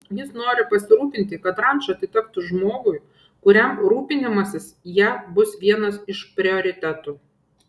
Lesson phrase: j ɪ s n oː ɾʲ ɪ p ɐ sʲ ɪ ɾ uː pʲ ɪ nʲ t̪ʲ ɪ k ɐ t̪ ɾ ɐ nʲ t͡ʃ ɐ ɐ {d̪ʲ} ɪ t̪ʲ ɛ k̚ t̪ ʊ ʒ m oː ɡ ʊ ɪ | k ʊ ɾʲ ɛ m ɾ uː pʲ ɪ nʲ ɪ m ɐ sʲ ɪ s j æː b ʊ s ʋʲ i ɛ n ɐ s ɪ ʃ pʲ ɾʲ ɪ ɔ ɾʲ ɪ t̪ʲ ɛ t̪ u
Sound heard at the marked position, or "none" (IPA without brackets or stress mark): t̪ʲ